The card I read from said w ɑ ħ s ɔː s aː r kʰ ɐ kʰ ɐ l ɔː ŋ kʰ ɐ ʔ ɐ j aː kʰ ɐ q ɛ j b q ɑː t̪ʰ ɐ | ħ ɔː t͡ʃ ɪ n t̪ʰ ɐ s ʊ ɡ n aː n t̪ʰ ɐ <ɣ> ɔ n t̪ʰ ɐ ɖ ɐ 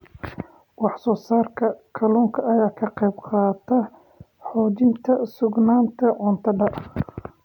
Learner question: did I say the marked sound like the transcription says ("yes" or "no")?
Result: no